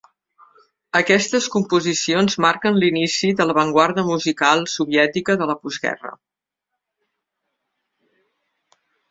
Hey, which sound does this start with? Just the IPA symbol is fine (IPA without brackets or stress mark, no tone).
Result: ə